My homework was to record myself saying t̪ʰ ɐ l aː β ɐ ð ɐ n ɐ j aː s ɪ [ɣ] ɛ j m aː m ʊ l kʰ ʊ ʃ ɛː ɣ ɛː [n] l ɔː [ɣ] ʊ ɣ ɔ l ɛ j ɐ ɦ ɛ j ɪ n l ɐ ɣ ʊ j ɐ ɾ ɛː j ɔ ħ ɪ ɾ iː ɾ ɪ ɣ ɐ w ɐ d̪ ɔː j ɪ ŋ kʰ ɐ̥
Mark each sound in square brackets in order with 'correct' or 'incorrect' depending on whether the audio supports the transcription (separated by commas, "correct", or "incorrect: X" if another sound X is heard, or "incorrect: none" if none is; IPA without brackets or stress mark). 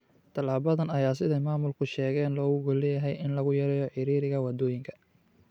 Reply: incorrect: ð, correct, correct